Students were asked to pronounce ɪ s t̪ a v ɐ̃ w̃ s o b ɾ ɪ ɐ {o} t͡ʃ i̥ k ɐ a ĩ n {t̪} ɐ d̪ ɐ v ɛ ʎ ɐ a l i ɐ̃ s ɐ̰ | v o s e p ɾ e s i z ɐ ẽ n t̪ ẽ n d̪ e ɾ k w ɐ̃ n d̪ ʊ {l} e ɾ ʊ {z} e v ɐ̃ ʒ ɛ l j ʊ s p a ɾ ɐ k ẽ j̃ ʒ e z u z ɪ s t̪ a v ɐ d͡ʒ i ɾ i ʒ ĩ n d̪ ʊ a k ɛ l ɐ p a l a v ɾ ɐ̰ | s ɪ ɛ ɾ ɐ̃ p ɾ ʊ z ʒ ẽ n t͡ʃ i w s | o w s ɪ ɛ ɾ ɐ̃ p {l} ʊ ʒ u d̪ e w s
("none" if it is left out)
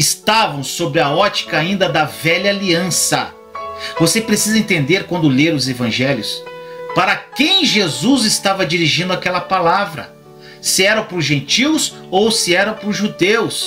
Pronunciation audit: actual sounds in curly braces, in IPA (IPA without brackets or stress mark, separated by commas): ɔ, d̪, l, z, ɾ